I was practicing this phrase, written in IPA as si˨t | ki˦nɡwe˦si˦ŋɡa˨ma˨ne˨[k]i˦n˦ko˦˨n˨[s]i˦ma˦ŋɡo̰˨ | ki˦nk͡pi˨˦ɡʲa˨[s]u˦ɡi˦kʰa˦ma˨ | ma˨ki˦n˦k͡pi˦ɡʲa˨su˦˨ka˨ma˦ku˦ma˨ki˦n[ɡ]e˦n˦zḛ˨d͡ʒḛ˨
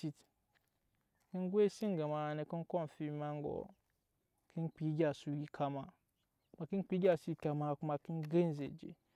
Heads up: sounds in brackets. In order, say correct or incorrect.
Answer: correct, incorrect: f, correct, correct

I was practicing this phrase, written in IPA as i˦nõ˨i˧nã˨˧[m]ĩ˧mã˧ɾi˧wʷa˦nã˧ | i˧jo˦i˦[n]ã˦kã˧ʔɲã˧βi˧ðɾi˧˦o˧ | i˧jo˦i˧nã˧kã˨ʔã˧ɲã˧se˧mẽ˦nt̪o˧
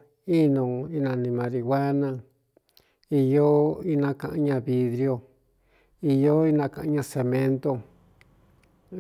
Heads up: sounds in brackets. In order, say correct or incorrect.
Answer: incorrect: n, correct

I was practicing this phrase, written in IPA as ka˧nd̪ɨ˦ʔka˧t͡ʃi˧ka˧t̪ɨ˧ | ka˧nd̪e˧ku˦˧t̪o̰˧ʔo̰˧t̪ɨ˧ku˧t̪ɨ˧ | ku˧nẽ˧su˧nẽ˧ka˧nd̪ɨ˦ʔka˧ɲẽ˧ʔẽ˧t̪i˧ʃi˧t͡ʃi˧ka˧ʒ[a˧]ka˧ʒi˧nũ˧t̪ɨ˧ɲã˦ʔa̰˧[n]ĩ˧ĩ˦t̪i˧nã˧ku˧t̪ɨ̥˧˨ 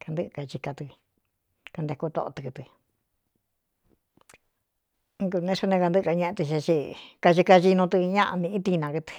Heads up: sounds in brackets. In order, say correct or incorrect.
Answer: incorrect: i˧, correct

